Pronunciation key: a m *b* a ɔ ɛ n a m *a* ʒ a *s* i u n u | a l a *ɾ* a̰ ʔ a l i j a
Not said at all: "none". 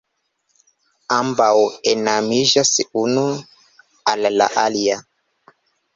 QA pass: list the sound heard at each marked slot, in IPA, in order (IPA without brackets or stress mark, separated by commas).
b, i, s, l